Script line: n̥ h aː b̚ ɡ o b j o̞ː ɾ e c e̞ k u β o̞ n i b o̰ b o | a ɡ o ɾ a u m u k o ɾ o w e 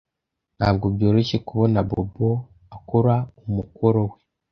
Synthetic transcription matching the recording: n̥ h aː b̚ ɡ o b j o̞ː ɾ e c e̞ k u β o̞ n a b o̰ b o | a k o ɾ a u m u k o ɾ o w e